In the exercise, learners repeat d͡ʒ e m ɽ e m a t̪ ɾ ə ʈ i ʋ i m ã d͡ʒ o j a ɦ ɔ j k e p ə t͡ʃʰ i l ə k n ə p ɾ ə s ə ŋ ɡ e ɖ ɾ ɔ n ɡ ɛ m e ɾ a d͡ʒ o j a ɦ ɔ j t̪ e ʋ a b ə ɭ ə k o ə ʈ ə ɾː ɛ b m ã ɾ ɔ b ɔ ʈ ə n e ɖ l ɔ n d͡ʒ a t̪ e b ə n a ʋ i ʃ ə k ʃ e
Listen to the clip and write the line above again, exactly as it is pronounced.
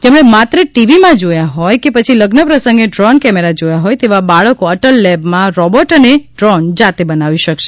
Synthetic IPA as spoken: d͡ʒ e m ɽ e m a t̪ ɾ ə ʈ i ʋ i m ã d͡ʒ o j a ɦ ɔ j k e p ə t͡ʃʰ i l ə ɡ n ə p ɾ ə s ə ŋ ɡ e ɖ ɾ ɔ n k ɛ m e ɾ a d͡ʒ o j a ɦ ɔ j t̪ e ʋ a b a ɭ ə k o ə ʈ ə lː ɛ b m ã ɾ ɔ b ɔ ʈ ə n e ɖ ɾ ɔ n d͡ʒ a t̪ e b ə n a ʋ i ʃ ə k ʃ e